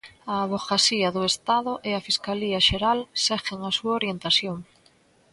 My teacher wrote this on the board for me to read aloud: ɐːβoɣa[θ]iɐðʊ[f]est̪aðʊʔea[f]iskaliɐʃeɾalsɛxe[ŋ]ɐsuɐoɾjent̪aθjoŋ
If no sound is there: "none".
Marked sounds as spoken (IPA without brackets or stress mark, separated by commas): s, none, f, ŋ